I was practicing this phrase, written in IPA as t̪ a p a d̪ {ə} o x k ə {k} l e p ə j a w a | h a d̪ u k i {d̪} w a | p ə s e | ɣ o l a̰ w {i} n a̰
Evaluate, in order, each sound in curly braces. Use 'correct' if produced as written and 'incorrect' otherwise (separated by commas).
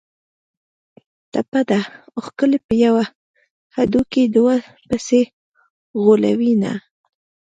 incorrect, incorrect, correct, correct